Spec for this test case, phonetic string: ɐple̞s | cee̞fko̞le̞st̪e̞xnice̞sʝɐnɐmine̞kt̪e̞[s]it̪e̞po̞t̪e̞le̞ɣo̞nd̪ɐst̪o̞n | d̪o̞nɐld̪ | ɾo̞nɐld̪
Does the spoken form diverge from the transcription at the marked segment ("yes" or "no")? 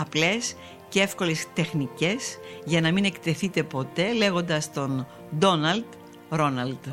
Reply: yes